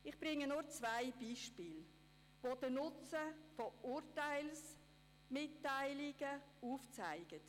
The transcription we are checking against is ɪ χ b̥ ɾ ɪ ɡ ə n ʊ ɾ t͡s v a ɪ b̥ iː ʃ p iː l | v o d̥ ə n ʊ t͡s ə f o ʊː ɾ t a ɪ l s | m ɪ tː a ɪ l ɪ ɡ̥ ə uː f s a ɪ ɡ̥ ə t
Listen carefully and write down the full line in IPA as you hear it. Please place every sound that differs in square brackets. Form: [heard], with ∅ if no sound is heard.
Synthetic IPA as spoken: ɪ χ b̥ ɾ ɪ [ŋ] ə n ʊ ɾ t͡s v a ɪ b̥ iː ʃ p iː l | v o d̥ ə n ʊ t͡s ə f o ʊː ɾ t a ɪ l s | m ɪ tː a ɪ l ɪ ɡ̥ ə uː f [t͡s] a ɪ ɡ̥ ə t